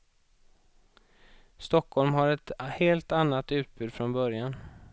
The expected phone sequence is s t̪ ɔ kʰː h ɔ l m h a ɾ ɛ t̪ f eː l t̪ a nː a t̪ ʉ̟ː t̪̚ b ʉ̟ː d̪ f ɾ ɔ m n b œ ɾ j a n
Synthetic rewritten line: s t̪ ɔ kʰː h ɔ l m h a ɾ ɛ t̪ h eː l t̪ a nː a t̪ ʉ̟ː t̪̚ b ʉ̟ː d̪ f ɾ ɔ n b œ ɾ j a n

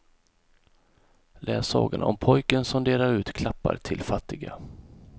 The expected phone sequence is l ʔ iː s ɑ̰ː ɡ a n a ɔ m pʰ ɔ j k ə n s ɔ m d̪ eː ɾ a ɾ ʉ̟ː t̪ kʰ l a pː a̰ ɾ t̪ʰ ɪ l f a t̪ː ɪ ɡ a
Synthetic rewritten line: l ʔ ɛː s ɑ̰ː ɡ a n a ɔ m pʰ ɔ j k ə n s ɔ m d̪ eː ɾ a ɾ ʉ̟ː t̪ kʰ l a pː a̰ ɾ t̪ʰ ɪ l f a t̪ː ɪ ɡ a

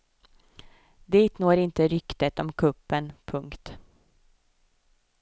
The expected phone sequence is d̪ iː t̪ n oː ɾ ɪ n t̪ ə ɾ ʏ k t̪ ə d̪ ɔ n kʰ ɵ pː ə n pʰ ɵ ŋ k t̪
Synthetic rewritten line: d̪ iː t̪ n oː ɾ ɪ n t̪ ə ɾ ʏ k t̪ ə t̪ ɔ m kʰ ɵ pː ə n pʰ ɵ ŋ k t̪

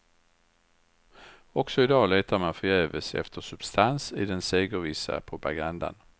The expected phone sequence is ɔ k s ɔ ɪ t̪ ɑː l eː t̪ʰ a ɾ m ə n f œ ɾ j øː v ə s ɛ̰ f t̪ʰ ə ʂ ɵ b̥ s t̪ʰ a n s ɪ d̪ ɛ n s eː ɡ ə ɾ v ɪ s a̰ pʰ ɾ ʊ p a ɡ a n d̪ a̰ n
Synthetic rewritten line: ɔ k s ɔ ɪ d̪ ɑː l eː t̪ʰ a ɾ m a n f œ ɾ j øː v ə s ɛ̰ f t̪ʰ ə ʂ ɵ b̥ s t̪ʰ a n s ɪ d̪ ɛ n s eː ɡ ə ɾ v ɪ s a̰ pʰ ɾ ʊ p a ɡ a n d̪ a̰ n

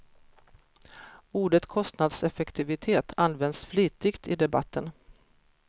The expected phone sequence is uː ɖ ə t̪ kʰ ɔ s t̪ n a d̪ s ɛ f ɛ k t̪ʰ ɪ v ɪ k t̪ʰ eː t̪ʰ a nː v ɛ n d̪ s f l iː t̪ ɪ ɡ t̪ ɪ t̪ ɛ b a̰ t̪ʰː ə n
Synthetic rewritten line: uː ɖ ə t̪ kʰ ɔ s t̪ n a d̪ s ɛ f ɛ k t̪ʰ ɪ v ɪ t̪ʰ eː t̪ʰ a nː v ɛ n d̪ s f l iː t̪ ɪ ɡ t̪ ɪ d̪ ɛ b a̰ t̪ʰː ə n

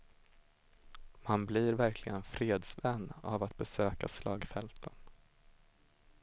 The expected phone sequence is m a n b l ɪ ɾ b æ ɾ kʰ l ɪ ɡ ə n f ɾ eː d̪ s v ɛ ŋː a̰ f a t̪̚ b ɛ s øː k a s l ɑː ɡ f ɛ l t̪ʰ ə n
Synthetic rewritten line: m a n b l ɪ ɾ v æ ɾ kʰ l ɪ ɡ ə n f ɾ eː d̪ s v ɛ nː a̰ v a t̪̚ b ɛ s øː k a s l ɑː ɡ f ɛ l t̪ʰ ə n

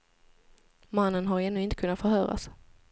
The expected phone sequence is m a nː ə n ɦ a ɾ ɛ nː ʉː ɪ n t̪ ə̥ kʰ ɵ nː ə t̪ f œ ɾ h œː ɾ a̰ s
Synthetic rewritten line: m a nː ə n ɦ a ɾ ɛ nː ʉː ɪ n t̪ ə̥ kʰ ɵ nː a t̪ f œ ɾ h œː ɾ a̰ s

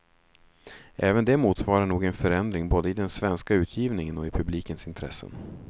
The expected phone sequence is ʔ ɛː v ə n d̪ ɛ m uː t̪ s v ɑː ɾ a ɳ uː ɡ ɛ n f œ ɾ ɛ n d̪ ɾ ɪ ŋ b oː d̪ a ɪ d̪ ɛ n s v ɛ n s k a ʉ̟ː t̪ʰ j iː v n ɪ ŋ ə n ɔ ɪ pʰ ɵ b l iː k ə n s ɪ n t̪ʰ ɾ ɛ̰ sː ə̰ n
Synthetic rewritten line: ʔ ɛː v ə n d̪ ɛ m uː t̪ s v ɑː ɾ a ɳ uː ɡ ɛ n f œ ɾ ɛ n d̪ ɾ ɪ ŋ b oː d̪ ə ɪ d̪ ɛ n s v ɛ n s k a ʉ̟ː t̪ʰ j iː v n ɪ ŋ ə n ɔ ɪ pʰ ɵ b l iː k ə n s ɪ n t̪ʰ ɾ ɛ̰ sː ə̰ n

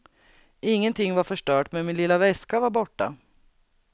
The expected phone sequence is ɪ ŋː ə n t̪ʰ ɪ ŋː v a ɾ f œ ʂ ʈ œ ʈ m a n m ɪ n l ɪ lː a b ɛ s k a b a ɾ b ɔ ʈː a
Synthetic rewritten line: ɪ ŋː ə n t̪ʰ ɪ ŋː v a ɾ f œ ʂ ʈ œː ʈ m ɛ n m ɪ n l ɪ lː a v ɛ s k a v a ɾ b ɔ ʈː a

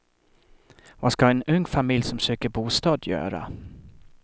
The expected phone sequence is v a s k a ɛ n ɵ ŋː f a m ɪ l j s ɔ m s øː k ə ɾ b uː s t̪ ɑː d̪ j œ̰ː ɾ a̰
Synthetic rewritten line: v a s k a ɛ n ɵ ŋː f a m ɪ l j s ɔ m s øː k ə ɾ b uː s t̪ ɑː d̪ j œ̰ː ɾ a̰

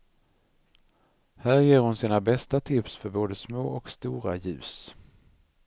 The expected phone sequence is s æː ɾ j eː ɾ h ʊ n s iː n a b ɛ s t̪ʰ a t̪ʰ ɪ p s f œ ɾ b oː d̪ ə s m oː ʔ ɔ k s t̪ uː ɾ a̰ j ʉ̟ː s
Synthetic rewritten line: h æː ɾ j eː ɾ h ʊ n s iː n a b ɛ s t̪ a t̪ʰ ɪ p s f œ ɾ b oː d̪ ə s m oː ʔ ɔ k s t̪ uː ɾ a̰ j ʉ̟ː s

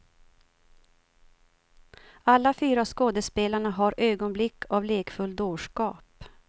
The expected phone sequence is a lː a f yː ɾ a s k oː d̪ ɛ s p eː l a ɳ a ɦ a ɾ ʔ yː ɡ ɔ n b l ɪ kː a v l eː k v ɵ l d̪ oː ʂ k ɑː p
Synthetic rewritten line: a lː a f yː ɾ a s k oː d̪ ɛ s p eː l a ɳ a ɦ a ɾ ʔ øː ɡ ɔ n b l ɪ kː a v l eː k f ɵ l d̪ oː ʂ k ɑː p

